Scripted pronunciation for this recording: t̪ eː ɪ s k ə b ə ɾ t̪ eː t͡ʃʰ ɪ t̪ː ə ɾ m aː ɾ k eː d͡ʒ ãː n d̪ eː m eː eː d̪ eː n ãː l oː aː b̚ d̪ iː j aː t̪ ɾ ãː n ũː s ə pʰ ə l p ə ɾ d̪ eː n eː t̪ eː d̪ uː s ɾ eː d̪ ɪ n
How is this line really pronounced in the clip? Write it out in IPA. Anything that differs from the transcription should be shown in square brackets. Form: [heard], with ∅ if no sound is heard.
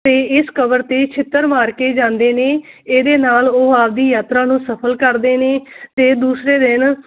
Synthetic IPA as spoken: t̪ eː ɪ s k ə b ə ɾ t̪ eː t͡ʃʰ ɪ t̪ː ə ɾ m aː ɾ k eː d͡ʒ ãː n d̪ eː [n] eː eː d̪ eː n [aː] l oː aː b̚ d̪ iː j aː t̪ ɾ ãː n ũː s ə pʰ ə l [k] ə ɾ d̪ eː n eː t̪ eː d̪ uː s ɾ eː d̪ ɪ n